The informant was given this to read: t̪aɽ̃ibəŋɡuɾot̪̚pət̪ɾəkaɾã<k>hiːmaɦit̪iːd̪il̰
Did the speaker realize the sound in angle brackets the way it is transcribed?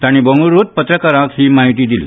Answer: yes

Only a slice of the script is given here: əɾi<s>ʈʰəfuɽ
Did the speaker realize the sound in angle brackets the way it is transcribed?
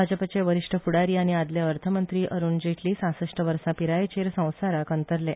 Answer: no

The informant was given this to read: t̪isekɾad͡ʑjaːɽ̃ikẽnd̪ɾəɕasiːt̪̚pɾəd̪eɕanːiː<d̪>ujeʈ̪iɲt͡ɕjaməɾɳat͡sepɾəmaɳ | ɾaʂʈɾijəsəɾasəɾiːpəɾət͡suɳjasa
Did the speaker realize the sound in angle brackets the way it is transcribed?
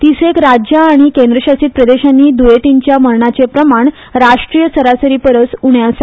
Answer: yes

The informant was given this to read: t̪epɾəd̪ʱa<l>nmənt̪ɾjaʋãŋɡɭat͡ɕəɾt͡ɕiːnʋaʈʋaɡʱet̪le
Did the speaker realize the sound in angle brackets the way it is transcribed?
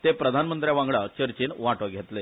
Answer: no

